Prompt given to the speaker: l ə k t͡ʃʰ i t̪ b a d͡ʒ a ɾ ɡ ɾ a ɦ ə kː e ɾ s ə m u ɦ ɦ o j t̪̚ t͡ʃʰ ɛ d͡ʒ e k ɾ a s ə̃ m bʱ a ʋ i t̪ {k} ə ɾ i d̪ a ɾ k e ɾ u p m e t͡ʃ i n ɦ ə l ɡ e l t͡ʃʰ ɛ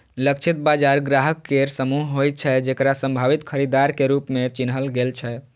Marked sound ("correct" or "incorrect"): incorrect